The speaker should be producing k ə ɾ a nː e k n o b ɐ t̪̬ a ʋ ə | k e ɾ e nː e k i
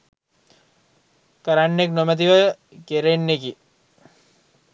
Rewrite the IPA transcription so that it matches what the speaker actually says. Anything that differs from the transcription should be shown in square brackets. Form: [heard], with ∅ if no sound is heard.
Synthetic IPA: k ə ɾ a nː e k n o [m] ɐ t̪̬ [i] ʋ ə | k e ɾ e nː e k i